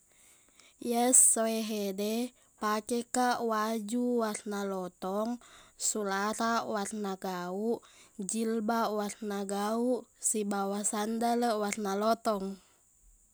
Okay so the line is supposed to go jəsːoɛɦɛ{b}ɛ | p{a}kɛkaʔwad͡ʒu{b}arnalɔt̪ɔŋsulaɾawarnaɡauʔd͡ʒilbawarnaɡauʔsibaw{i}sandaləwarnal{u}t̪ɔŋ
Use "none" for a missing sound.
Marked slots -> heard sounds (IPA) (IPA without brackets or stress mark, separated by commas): d, a, w, a, ɔ